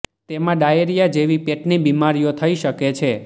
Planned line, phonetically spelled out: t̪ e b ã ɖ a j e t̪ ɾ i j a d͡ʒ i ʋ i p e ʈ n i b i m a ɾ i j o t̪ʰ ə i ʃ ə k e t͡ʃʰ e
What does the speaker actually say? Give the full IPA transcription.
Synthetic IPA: t̪ e m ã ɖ a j e ɾ i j a d͡ʒ e ʋ i p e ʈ n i b i m a ɾ i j o t̪ʰ ə i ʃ ə k e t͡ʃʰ e